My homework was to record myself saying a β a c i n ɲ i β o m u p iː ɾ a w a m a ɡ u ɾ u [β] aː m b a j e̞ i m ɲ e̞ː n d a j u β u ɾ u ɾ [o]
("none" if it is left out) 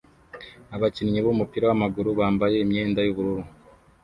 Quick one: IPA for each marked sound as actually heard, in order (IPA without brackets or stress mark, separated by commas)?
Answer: β, u